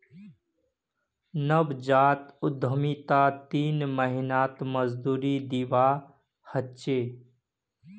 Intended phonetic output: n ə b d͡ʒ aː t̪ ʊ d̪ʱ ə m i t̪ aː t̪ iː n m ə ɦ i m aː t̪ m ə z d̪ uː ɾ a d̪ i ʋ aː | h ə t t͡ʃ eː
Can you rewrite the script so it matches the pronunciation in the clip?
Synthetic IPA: n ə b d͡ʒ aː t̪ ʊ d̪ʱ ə m i t̪ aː t̪ iː n m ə ɦ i n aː t̪ m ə z d̪ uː ɾ i d̪ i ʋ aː | h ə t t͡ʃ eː